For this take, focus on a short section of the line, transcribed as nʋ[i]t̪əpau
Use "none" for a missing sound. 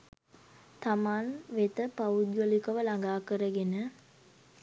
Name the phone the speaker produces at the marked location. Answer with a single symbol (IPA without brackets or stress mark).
e